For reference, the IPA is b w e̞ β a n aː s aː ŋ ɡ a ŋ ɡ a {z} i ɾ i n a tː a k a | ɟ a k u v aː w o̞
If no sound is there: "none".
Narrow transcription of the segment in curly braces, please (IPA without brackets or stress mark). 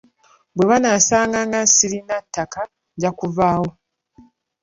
s